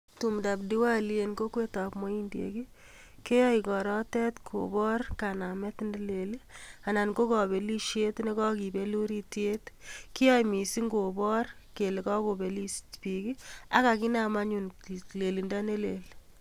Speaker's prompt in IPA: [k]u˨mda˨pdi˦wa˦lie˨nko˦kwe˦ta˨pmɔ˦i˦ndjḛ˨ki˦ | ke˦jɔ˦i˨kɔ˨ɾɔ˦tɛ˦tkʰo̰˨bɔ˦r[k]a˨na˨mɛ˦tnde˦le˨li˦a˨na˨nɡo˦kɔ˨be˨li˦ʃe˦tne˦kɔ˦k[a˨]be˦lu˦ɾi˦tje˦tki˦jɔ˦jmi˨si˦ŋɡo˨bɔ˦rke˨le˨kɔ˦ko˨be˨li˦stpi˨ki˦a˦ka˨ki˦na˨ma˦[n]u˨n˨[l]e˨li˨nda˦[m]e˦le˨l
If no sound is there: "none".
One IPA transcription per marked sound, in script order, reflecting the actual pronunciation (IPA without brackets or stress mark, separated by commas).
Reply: t, k, i˨, ɲ, l, n